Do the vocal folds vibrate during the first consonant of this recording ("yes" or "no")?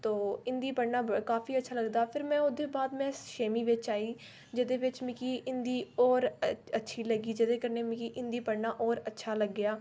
no